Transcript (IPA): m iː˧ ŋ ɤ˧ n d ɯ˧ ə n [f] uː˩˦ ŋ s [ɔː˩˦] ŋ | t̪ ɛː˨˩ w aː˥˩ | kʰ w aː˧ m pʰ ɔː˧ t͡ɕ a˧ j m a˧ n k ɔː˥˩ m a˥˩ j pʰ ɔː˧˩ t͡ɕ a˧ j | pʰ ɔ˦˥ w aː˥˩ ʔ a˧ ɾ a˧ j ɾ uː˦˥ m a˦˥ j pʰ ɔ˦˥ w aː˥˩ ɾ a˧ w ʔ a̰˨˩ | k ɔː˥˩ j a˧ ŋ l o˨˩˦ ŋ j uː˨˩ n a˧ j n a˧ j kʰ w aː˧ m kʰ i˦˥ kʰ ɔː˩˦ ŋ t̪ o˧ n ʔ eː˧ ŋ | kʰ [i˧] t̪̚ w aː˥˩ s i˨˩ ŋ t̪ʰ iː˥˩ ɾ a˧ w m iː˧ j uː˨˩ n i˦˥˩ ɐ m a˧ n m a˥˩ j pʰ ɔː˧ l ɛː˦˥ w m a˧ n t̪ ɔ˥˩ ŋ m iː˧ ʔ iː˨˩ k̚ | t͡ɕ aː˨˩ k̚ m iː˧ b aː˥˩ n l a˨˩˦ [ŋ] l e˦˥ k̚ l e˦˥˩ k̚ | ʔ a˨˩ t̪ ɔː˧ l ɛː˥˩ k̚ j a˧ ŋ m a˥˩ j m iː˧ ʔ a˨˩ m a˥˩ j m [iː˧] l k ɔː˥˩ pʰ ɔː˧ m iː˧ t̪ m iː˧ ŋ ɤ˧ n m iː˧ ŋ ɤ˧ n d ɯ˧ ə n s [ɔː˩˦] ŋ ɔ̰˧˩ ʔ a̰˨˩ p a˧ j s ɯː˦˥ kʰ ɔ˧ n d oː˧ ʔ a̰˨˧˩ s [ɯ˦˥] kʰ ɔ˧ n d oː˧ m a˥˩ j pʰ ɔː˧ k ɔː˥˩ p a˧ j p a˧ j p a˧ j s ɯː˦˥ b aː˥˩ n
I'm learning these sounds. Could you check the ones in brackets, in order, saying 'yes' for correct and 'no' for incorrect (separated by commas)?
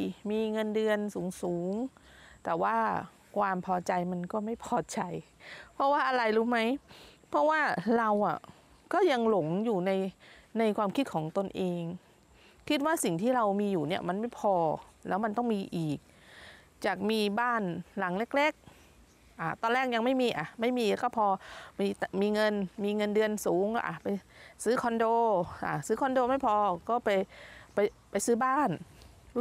no, no, no, yes, yes, no, no